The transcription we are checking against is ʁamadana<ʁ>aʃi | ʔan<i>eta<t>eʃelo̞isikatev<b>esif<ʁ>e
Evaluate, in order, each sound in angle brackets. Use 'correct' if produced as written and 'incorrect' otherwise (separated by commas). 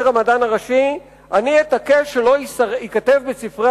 correct, correct, incorrect, correct, correct